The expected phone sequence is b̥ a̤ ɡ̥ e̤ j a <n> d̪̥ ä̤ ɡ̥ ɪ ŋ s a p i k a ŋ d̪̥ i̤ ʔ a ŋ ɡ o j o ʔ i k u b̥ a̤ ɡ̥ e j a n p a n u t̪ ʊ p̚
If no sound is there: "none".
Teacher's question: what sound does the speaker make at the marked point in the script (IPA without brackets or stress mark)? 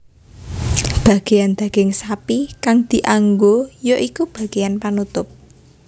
n